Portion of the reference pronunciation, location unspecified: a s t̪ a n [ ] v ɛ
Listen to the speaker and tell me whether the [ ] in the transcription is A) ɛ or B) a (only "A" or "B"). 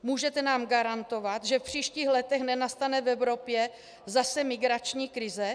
A